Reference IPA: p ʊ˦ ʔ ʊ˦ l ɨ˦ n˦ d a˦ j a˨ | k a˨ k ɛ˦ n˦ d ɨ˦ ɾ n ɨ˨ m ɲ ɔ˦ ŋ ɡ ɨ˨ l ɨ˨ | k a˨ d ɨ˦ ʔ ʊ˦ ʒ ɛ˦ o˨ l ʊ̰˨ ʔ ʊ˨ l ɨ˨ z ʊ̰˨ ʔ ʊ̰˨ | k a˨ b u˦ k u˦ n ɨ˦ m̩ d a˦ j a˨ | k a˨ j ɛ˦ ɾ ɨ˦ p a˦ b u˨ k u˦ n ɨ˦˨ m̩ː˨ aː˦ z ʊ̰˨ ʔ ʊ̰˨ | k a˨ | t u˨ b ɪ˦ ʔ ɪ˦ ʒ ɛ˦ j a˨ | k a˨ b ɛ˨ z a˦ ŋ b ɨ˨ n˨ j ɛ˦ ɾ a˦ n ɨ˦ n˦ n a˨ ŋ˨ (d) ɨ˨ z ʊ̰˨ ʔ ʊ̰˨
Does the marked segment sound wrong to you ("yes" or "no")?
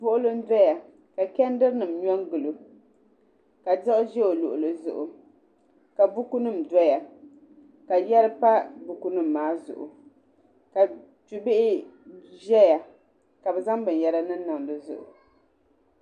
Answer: no